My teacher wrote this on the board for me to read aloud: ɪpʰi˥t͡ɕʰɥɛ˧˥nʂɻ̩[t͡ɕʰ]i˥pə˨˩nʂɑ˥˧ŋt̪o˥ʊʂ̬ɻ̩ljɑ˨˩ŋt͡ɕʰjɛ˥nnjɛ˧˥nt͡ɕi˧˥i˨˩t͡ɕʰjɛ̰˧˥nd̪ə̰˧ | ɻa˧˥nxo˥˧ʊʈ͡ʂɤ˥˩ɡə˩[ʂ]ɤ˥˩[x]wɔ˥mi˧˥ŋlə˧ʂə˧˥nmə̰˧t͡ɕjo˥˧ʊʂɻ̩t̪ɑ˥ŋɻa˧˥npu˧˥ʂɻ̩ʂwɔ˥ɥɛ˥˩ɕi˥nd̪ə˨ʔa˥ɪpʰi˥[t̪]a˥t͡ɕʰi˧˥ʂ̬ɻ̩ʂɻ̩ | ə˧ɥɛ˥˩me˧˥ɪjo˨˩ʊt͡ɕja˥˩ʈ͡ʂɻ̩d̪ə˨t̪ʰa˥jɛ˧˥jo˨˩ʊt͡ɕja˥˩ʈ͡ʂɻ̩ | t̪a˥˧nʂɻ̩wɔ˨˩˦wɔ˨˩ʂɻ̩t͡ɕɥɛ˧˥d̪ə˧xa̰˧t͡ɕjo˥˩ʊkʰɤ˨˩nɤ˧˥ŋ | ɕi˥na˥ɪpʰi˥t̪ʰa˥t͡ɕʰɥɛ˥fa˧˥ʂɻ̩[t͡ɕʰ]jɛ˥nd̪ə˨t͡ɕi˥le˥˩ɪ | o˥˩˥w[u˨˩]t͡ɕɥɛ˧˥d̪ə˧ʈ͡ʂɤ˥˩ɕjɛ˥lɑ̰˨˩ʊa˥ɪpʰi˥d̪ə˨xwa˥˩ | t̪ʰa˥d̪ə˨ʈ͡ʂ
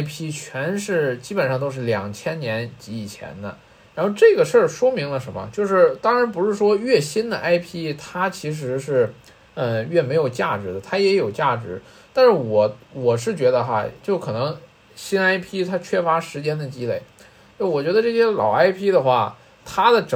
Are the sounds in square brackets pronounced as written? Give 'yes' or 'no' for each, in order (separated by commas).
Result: no, yes, no, no, no, no